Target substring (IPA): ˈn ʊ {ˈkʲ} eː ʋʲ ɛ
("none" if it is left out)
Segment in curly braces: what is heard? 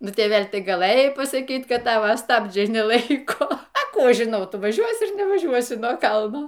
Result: tʲ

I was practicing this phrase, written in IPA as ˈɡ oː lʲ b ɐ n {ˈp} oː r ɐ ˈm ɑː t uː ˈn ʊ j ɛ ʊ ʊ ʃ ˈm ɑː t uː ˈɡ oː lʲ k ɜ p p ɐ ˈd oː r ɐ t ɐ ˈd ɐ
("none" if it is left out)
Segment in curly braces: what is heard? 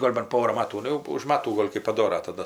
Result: p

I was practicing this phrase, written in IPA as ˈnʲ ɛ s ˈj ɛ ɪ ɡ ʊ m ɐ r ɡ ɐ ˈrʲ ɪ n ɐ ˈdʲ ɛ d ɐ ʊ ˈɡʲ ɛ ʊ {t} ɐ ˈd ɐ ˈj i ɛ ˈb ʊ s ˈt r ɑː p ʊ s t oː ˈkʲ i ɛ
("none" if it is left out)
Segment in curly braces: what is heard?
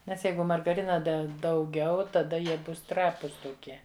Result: t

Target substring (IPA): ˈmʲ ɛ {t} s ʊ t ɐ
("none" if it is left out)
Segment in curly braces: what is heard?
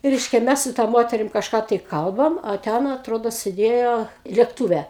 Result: s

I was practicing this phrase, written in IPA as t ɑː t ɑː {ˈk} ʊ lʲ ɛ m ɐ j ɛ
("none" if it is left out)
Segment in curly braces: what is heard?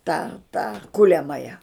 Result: k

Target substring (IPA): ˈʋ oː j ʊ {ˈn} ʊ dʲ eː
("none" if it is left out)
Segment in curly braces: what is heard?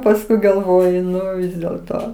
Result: n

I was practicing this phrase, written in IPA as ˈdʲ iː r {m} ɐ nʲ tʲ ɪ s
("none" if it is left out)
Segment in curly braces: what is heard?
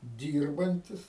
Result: b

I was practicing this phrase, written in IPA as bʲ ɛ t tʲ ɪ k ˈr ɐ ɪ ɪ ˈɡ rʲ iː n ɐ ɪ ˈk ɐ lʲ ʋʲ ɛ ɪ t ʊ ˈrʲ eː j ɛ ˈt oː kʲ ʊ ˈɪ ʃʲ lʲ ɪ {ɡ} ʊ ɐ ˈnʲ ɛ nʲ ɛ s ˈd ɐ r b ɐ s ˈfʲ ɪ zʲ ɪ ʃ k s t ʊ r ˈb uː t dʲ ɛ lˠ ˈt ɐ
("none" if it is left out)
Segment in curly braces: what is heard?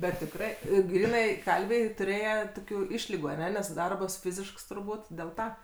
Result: ɡ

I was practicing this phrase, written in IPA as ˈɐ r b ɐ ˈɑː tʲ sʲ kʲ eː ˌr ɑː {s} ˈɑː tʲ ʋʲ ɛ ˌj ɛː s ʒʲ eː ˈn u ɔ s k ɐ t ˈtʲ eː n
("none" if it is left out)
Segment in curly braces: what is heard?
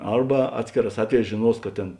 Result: s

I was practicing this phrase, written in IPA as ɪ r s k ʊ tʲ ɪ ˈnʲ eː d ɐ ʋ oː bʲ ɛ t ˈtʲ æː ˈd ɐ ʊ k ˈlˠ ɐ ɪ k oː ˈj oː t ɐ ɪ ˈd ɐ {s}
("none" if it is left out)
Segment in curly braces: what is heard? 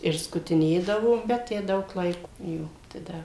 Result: none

